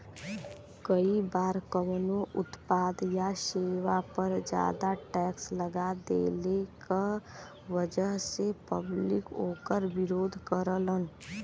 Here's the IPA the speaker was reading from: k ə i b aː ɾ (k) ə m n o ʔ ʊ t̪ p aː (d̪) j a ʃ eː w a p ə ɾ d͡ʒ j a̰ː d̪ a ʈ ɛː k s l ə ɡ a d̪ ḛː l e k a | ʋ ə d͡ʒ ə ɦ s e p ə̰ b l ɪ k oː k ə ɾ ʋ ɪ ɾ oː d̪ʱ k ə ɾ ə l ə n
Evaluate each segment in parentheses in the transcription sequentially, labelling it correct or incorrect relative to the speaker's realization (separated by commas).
correct, correct